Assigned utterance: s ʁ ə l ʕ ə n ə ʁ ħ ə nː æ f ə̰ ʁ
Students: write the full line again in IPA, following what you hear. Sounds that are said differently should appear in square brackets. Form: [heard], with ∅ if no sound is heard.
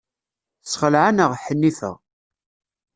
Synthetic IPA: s [χ] ə l ʕ [a] n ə ʁ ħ ə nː [i] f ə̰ ʁ